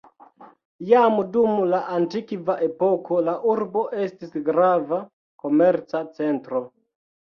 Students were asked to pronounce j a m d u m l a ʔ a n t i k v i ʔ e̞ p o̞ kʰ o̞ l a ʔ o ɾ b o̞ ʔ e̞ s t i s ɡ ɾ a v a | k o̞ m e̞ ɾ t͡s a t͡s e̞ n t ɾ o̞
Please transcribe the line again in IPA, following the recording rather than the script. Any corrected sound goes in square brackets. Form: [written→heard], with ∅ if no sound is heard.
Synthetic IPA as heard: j a m d u m l a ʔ a n t i k v [i→a] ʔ e̞ p o̞ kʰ o̞ l a ʔ [o→u] ɾ b o̞ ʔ e̞ s t i s ɡ ɾ a v a | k o̞ m e̞ ɾ t͡s a t͡s e̞ n t ɾ o̞